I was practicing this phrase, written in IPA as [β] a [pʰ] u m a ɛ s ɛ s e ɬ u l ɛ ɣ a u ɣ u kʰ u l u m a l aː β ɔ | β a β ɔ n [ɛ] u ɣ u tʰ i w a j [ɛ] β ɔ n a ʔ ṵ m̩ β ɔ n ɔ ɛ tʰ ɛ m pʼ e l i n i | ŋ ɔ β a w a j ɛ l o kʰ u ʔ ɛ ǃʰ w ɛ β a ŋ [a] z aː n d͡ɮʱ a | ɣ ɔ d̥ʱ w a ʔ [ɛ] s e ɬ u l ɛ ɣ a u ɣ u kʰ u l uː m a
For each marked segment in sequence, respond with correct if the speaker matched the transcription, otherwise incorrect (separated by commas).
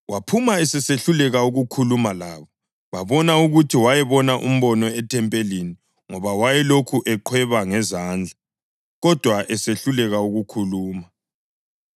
incorrect, correct, incorrect, correct, incorrect, correct